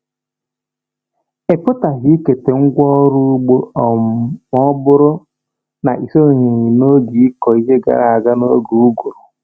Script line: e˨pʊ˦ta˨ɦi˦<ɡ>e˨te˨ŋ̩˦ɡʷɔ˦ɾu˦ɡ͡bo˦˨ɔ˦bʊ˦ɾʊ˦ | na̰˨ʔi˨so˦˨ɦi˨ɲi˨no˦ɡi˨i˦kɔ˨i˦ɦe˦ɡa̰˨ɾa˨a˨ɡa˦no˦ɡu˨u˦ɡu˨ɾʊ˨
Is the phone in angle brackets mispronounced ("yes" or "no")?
yes